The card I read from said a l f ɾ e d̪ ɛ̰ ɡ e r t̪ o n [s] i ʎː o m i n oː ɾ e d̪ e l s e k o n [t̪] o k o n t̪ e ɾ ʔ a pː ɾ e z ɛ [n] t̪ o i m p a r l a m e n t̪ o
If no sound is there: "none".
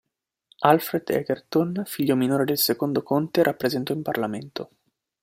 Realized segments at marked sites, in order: f, d̪, n

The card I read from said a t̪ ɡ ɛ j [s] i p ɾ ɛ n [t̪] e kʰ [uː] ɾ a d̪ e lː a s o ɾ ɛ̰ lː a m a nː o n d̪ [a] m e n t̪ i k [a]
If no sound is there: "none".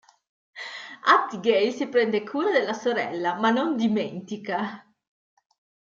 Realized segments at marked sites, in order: s, d̪, uː, i, a

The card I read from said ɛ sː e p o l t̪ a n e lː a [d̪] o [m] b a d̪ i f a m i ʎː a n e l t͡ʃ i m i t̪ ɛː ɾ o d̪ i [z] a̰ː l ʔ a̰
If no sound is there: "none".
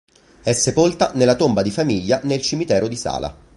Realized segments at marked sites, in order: t̪, m, s

